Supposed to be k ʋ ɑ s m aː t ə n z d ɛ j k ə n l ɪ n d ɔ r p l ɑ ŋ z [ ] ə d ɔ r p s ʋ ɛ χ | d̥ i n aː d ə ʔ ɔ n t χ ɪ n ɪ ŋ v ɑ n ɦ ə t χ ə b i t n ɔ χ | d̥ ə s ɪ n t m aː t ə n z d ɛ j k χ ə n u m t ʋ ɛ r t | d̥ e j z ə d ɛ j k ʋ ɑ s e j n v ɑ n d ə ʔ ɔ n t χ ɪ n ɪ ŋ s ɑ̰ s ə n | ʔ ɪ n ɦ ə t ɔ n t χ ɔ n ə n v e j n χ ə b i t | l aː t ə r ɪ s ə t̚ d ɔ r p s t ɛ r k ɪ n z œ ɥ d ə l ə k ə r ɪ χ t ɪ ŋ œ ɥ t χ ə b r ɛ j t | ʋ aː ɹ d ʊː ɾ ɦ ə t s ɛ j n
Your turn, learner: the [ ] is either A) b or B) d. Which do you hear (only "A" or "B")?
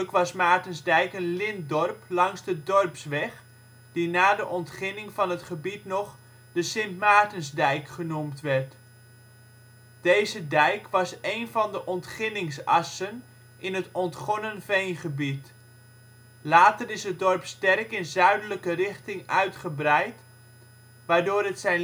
B